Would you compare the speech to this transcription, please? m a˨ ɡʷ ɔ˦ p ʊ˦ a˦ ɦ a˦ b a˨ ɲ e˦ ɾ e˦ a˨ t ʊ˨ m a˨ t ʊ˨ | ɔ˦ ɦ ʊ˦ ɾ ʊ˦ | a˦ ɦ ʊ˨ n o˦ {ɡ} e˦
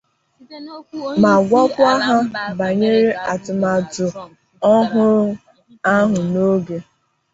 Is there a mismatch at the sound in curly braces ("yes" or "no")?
no